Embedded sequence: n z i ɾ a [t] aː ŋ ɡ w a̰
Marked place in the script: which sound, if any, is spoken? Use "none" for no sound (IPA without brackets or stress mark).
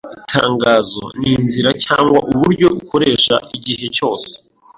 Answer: c